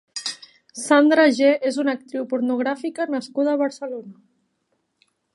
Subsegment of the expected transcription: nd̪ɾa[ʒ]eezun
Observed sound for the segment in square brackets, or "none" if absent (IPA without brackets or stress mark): ʒ